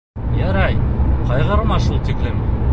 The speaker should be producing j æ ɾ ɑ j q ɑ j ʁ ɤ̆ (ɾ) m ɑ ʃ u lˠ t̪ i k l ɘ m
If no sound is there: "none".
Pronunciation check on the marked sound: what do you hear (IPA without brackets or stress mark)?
ɾ